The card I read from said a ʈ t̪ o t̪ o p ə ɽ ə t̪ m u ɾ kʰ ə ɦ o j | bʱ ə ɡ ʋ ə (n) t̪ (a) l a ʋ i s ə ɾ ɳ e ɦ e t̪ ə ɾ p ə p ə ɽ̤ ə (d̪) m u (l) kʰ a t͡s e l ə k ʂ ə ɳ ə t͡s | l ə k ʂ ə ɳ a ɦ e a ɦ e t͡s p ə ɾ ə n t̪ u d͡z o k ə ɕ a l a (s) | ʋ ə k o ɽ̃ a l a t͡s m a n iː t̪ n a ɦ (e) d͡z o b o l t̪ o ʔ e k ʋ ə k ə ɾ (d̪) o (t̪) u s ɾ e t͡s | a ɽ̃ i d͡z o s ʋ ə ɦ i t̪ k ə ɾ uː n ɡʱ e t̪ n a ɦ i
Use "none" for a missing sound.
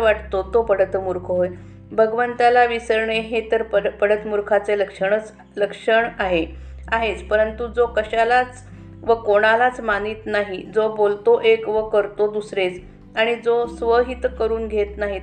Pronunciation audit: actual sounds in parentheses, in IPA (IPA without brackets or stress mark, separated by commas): n, a, t̪, ɾ, t͡s, i, t̪, d̪